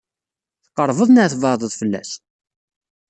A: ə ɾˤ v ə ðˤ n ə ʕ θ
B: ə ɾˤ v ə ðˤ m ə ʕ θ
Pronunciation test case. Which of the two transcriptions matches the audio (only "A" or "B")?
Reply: A